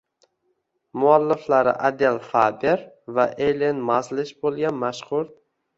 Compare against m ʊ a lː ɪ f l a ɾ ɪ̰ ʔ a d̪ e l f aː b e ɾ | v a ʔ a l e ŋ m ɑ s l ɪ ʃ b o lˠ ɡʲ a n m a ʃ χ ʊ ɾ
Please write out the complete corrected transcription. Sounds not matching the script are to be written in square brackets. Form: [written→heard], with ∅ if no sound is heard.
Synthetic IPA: m ʊ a lː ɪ f l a ɾ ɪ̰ ʔ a d̪ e l f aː b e ɾ | v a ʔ [a→e] l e [ŋ→n] m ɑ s l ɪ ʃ b o lˠ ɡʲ a n m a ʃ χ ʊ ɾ